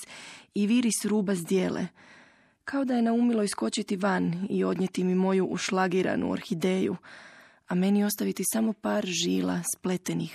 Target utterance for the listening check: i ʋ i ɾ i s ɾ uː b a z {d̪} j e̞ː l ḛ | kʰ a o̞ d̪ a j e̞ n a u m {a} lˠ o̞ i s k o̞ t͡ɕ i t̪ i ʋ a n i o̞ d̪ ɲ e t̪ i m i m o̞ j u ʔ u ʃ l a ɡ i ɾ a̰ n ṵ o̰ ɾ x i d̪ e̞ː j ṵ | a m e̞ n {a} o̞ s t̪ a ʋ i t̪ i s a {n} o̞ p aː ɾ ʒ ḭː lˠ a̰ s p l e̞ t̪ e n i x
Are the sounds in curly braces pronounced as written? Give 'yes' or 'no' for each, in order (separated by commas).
yes, no, no, no